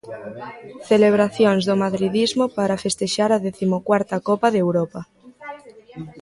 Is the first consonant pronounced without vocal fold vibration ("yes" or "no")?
yes